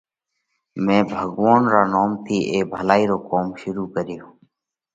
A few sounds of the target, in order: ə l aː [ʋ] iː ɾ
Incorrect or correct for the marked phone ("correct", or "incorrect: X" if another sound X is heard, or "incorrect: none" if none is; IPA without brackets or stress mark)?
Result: incorrect: none